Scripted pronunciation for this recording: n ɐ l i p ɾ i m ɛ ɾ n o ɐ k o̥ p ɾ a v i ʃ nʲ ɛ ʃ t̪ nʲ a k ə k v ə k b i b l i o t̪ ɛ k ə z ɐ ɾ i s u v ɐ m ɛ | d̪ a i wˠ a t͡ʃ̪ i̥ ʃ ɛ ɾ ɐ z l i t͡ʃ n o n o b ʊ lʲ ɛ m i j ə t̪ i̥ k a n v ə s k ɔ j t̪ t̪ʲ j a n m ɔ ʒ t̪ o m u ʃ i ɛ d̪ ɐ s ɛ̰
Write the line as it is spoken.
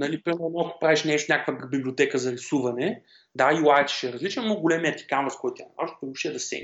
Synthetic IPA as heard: n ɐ l i p ɾ i m ɛ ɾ n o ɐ k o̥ p ɾ a v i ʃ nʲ ɛ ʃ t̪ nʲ a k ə k v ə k b i b l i o t̪ ɛ k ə z ɐ ɾ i s u v ɐ n ɛ | d̪ a i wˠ a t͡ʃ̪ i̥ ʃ ɛ ɾ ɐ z l i t͡ʃ n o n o ɡ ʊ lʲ ɛ m i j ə t̪ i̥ k a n v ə s k ɔ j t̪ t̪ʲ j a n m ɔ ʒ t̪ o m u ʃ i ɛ d̪ ɐ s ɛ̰